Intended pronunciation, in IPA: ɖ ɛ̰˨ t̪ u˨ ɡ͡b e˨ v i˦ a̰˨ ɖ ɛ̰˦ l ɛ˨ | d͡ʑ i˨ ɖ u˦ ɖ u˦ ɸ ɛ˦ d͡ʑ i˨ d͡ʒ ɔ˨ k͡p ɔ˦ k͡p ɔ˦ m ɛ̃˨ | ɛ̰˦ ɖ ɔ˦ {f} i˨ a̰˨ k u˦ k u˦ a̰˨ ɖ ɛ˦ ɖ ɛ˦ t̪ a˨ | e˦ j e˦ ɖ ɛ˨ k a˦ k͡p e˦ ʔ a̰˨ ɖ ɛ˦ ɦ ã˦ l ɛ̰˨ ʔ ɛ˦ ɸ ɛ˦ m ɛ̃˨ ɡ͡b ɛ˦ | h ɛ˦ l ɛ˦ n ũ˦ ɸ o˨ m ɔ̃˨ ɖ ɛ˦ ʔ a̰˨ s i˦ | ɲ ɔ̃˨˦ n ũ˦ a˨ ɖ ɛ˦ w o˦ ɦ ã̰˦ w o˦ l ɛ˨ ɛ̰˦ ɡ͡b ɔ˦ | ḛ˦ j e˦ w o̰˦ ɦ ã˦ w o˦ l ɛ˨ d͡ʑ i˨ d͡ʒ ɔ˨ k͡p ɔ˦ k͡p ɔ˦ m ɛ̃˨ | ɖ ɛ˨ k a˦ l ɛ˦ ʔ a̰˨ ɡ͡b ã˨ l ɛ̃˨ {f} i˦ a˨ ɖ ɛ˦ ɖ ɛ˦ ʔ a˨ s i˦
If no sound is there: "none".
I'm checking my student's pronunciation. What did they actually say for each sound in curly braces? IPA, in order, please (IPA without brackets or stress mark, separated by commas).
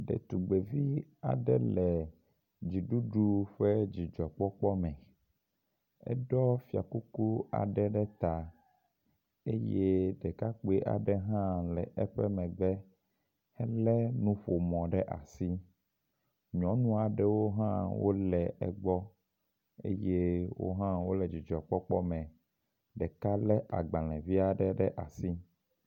f, v